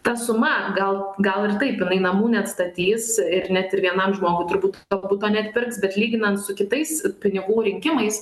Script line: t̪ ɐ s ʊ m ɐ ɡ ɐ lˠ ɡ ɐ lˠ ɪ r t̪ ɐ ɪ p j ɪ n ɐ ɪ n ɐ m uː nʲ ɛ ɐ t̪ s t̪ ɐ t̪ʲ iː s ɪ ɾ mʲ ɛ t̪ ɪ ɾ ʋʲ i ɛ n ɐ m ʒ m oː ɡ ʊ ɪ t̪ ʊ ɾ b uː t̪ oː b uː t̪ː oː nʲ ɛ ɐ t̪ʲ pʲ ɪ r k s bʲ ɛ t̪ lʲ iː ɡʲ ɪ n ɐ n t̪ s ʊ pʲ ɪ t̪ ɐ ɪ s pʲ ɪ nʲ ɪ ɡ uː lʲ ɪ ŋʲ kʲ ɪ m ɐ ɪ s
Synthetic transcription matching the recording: t̪ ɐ s ʊ m ɐ ɡ ɐ lˠ ɡ ɐ lˠ ɪ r t̪ ɐ ɪ p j ɪ n ɐ ɪ n ɐ m uː nʲ ɛ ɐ t̪ s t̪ ɐ t̪ʲ iː s ɪ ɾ nʲ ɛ t̪ ɪ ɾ ʋʲ i ɛ n ɐ m ʒ m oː ɡ ʊ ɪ t̪ ʊ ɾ b uː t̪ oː b uː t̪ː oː nʲ ɛ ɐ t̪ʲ pʲ ɪ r k s bʲ ɛ t̪ lʲ iː ɡʲ ɪ n ɐ n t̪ s ʊ kʲ ɪ t̪ ɐ ɪ s pʲ ɪ nʲ ɪ ɡ uː ɾʲ ɪ ŋʲ kʲ ɪ m ɐ ɪ s